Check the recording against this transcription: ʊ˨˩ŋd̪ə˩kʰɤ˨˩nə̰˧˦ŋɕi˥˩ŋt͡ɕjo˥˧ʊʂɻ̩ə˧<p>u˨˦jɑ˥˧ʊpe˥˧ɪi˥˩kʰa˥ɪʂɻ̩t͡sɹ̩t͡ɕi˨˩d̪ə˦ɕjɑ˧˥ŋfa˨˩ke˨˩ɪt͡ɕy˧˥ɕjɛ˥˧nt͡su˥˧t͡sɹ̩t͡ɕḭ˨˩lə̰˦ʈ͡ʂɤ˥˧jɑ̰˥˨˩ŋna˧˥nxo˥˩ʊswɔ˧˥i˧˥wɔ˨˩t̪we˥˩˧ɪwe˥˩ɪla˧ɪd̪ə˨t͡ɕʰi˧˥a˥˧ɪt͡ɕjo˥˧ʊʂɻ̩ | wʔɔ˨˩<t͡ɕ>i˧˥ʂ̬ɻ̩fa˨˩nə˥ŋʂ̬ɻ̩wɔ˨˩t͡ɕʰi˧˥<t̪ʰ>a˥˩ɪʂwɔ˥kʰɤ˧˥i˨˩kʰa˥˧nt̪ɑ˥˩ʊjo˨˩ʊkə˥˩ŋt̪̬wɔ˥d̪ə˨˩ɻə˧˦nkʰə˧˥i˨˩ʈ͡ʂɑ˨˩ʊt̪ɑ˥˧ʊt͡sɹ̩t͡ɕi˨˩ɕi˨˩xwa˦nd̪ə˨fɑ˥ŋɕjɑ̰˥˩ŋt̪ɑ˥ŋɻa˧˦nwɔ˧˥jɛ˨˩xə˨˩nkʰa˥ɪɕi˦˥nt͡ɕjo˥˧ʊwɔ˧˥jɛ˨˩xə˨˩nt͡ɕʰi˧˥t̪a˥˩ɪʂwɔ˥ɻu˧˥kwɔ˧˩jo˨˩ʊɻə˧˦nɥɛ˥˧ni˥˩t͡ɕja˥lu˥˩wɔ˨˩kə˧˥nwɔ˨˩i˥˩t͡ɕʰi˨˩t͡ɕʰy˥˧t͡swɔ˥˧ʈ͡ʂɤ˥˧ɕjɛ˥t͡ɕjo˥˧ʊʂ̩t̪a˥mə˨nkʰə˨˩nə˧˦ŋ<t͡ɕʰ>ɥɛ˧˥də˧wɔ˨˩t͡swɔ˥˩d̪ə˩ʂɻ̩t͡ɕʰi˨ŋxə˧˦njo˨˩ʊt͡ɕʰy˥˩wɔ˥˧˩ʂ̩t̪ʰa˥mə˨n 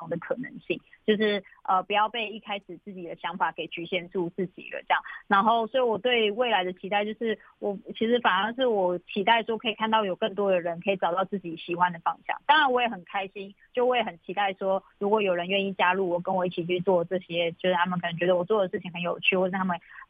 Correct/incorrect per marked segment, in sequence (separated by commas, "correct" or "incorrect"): correct, incorrect, incorrect, incorrect